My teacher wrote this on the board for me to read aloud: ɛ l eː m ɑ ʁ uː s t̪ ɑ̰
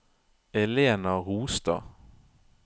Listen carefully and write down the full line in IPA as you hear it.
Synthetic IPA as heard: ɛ l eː n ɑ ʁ uː s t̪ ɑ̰